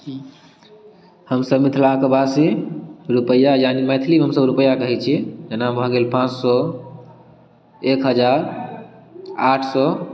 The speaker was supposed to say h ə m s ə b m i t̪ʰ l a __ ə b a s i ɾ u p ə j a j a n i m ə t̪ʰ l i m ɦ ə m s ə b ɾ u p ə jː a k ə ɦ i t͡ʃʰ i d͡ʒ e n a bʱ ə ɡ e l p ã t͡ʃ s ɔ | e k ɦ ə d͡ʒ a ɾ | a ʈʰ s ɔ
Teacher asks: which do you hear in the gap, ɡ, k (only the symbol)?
k